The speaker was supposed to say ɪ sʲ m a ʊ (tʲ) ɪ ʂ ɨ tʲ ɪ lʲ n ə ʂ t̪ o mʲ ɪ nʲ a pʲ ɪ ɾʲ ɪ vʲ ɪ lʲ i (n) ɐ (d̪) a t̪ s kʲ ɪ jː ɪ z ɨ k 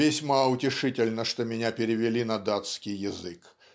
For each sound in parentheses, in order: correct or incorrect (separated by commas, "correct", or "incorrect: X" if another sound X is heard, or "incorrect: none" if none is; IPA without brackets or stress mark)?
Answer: correct, correct, correct